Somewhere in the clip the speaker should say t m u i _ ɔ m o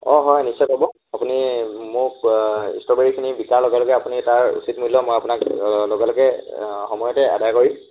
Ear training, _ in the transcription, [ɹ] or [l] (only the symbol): l